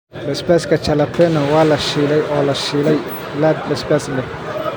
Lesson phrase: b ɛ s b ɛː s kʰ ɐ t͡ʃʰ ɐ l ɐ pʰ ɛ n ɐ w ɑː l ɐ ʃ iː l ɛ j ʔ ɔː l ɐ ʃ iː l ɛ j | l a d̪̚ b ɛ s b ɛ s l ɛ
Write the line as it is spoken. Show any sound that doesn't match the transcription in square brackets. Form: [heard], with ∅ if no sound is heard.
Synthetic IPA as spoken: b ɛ s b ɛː s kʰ ɐ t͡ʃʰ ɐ l ɐ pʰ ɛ n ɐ w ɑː l ɐ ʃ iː l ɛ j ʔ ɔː l ɐ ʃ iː l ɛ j | l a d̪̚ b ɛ s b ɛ s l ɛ

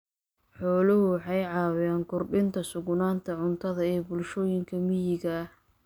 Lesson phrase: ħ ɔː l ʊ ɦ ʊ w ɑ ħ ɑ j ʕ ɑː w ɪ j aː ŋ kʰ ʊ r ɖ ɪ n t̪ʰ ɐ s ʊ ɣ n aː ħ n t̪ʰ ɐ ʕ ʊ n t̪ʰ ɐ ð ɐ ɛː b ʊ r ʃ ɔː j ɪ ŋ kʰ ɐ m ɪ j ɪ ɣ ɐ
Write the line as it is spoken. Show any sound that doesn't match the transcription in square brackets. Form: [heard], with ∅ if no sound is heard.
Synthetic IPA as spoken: ħ ɔː l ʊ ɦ ʊ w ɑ ħ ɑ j ʕ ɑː w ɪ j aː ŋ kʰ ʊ r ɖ ɪ n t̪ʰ ɐ s ʊ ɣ n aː [∅] n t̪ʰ ɐ ʕ ʊ n t̪ʰ ɐ ð ɐ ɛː b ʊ [l] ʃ ɔː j ɪ ŋ kʰ ɐ m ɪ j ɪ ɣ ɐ

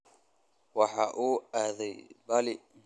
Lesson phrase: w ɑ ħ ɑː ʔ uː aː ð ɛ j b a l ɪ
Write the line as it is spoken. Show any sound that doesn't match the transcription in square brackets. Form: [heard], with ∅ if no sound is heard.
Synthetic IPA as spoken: w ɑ ħ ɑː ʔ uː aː ð ɛ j b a l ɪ

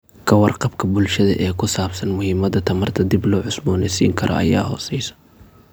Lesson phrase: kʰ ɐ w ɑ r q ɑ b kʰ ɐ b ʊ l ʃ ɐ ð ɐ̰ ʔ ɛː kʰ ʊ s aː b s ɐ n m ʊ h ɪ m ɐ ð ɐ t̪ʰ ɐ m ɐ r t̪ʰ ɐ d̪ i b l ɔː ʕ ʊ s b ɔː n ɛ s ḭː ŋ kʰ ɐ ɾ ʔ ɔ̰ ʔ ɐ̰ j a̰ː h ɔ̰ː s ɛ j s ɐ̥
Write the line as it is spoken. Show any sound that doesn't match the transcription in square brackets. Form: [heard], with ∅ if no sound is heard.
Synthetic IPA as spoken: kʰ ɐ w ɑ r q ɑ b kʰ ɐ b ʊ l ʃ ɐ ð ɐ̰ ʔ ɛː kʰ ʊ s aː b s ɐ n m ʊ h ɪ m ɐ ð ɐ t̪ʰ ɐ m ɐ r t̪ʰ ɐ d̪ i b l ɔː ʕ ʊ s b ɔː n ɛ s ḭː ŋ kʰ ɐ ɾ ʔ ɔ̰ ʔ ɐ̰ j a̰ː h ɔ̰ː s ɛ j s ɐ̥

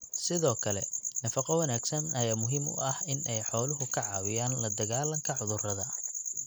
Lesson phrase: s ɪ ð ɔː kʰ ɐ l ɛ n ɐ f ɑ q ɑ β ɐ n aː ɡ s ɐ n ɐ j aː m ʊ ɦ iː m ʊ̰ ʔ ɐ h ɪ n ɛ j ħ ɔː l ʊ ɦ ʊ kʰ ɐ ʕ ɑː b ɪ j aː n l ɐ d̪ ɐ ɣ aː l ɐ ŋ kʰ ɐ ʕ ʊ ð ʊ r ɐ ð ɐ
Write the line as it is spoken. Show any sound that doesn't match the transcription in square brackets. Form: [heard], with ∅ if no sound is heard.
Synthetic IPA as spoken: s ɪ ð ɔː kʰ ɐ l ɛ n ɐ f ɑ q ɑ [w] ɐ n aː ɡ s ɐ n ɐ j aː m ʊ ɦ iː m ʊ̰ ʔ ɐ h ɪ n ɛ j ħ ɔː l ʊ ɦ ʊ kʰ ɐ ʕ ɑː [w] ɪ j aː n l ɐ d̪ ɐ ɣ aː l ɐ ŋ kʰ ɐ ʕ ʊ ð ʊ r ɐ ð ɐ

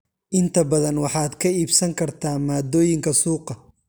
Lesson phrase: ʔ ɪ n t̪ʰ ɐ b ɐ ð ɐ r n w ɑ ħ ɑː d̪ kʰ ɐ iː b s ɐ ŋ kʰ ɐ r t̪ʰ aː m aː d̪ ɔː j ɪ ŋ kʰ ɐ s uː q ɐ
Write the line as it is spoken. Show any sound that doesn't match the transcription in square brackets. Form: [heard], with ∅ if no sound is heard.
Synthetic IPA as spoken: ʔ ɪ n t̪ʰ ɐ b ɐ ð ɐ [∅] n w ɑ ħ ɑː d̪ kʰ ɐ iː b s ɐ ŋ kʰ ɐ r t̪ʰ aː m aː d̪ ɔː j ɪ ŋ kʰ ɐ s uː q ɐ

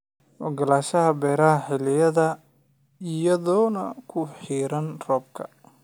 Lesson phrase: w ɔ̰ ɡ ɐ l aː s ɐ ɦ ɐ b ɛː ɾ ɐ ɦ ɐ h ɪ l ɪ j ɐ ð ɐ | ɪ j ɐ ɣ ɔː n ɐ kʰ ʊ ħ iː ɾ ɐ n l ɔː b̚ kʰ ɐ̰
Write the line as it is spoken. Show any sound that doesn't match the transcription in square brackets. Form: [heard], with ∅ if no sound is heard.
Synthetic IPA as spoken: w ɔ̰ ɡ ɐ l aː [ʃ] ɐ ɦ ɐ b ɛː ɾ ɐ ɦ ɐ [ħ] ɪ l ɪ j ɐ ð ɐ | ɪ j ɐ [ð] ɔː n ɐ kʰ ʊ ħ iː ɾ ɐ n [r] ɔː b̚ kʰ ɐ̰

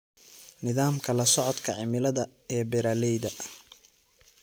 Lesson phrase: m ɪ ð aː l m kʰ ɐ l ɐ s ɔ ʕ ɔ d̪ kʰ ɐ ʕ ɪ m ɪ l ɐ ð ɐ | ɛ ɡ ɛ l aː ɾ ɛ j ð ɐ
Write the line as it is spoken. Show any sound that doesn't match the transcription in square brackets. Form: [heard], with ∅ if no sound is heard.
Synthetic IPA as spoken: [n] ɪ ð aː [∅] m kʰ ɐ l ɐ s ɔ ʕ ɔ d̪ kʰ ɐ ʕ ɪ m ɪ l ɐ ð ɐ | ɛ [b] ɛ [ɾ] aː [l] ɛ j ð ɐ

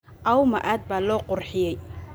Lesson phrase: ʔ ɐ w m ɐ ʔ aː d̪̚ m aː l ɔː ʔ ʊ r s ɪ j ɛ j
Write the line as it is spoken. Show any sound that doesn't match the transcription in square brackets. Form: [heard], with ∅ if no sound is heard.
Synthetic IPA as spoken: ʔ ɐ w m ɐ ʔ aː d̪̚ [b] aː l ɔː [q] ʊ r [ħ] ɪ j ɛ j

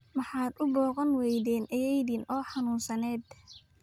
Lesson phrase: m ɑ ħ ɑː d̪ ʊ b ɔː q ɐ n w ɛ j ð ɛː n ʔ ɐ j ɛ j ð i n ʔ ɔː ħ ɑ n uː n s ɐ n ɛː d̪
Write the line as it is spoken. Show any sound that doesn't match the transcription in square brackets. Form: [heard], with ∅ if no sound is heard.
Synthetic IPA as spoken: m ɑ ħ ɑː d̪ ʊ b ɔː q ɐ n w ɛ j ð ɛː n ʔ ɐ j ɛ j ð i n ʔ ɔː ħ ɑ n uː n s ɐ n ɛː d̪

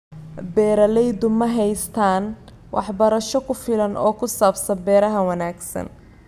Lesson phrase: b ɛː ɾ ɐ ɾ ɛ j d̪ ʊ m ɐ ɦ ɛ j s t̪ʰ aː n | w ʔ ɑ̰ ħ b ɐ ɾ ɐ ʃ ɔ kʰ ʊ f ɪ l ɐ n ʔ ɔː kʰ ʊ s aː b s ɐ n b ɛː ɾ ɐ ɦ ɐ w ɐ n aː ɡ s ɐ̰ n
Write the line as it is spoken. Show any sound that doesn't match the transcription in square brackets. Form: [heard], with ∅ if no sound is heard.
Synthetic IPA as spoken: b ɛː ɾ ɐ [l] ɛ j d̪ ʊ m ɐ ɦ ɛ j s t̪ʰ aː n | w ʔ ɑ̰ ħ b ɐ ɾ ɐ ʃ ɔ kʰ ʊ f ɪ l ɐ n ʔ ɔː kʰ ʊ s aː b s ɐ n b ɛː ɾ ɐ ɦ ɐ w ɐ n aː ɡ s ɐ̰ n

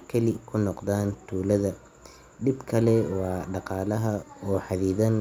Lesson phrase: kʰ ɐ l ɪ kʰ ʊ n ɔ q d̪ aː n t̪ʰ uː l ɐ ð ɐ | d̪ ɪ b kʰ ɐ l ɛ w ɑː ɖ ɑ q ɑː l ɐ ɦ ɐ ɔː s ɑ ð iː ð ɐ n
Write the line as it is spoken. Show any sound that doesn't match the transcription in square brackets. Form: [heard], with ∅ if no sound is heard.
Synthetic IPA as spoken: kʰ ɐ l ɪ kʰ ʊ n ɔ q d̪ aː n t̪ʰ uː l ɐ ð ɐ | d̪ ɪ b kʰ ɐ l ɛ w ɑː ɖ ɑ q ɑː l ɐ ɦ ɐ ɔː [ħ] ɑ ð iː ð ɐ n

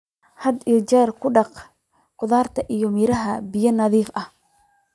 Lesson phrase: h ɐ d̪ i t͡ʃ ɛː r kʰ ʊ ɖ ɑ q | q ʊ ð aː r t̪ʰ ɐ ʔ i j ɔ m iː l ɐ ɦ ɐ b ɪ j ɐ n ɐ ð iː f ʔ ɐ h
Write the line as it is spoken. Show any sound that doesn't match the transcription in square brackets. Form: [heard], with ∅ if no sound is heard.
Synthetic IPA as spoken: h ɐ d̪ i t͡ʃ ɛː r kʰ ʊ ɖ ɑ q | q ʊ ð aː r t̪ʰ ɐ ʔ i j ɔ m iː [ɾ] ɐ ɦ ɐ b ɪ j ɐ n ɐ ð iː f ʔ ɐ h

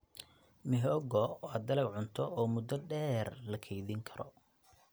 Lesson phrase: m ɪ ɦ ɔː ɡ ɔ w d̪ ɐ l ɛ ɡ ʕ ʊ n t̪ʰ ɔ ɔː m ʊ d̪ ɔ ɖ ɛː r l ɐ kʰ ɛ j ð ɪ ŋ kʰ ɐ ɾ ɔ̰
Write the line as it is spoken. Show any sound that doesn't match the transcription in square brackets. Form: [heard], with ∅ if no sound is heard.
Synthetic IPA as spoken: m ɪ ɦ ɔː ɡ ɔ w d̪ ɐ l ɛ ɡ ʕ ʊ n t̪ʰ ɔ ɔː m ʊ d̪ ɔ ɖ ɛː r l ɐ kʰ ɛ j ð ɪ ŋ kʰ ɐ ɾ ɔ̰

